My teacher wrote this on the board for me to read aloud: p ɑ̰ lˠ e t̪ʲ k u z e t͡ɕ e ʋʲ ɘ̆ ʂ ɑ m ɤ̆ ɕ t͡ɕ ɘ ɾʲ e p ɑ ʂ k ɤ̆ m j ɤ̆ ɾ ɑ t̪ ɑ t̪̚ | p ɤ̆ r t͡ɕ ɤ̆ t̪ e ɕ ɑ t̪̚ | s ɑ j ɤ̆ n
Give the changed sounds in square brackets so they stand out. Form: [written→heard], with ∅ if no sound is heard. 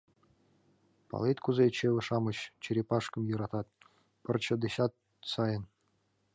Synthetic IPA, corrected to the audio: p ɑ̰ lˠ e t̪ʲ k u z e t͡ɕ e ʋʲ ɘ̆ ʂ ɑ m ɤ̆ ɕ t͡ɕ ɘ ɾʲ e p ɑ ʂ k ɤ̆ m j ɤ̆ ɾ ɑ t̪ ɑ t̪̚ | p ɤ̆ r t͡ɕ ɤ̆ [t̪→d̪] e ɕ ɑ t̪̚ | s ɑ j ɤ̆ n